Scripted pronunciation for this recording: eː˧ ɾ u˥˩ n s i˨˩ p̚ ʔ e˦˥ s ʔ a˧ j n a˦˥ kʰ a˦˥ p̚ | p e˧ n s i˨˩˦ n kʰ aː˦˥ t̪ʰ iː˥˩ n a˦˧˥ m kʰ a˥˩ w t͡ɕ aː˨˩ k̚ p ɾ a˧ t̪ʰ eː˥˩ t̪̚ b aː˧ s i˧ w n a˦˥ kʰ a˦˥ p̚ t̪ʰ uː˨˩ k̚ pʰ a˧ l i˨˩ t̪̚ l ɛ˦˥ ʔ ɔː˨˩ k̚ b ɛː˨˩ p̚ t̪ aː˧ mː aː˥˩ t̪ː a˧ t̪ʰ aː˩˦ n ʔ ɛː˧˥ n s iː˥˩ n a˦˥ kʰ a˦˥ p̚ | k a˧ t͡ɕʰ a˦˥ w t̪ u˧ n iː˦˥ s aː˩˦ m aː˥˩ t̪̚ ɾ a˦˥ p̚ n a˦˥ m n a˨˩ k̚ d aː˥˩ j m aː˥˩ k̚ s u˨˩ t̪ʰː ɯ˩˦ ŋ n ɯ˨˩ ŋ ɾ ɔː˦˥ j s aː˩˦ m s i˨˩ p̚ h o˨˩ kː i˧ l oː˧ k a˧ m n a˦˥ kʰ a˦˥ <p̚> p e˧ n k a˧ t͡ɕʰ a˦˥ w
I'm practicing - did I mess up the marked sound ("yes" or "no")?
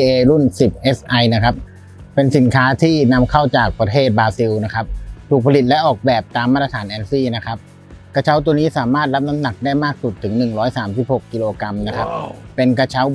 no